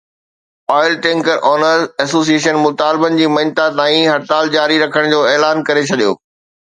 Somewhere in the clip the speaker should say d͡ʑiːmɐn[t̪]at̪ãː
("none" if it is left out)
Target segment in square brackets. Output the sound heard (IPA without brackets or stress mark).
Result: t̪